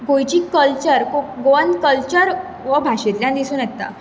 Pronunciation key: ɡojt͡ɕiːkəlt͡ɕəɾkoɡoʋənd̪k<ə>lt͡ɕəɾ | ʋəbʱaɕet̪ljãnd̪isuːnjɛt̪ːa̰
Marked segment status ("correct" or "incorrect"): correct